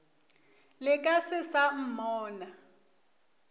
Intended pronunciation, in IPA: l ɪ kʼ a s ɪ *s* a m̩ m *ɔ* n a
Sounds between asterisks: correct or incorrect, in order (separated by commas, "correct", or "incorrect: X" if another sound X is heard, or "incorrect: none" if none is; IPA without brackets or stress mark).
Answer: correct, incorrect: ɔː